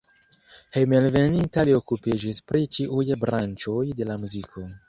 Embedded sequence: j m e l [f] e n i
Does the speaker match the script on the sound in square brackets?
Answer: no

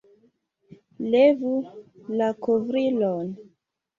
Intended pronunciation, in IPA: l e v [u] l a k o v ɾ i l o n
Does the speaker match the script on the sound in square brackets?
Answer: yes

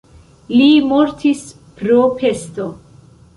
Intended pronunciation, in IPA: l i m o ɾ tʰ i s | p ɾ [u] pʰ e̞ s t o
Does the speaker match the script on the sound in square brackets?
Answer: no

